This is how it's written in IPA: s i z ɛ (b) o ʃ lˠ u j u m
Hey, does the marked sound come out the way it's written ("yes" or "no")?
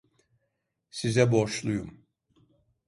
yes